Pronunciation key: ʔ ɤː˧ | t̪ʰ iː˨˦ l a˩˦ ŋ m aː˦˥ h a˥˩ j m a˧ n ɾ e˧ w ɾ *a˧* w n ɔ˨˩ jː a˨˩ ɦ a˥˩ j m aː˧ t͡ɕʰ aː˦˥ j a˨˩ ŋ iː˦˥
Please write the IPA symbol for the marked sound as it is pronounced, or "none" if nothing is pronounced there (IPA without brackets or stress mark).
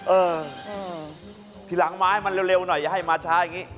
e˧